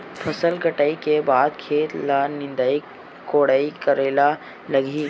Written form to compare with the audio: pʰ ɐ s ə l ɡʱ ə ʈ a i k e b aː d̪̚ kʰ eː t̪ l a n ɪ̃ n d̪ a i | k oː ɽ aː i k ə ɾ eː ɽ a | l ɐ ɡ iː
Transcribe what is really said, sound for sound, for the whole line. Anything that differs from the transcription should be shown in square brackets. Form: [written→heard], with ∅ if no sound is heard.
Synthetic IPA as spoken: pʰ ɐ s ə l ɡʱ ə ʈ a i k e b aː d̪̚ kʰ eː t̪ l a n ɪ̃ n d̪ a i | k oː ɽ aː i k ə ɾ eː [ɽ→l] a | l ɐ ɡ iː